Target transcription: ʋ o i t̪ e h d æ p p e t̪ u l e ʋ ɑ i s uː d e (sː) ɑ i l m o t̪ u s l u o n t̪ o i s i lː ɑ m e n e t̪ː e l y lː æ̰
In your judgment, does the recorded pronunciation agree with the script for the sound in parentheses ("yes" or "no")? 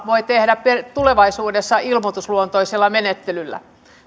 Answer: yes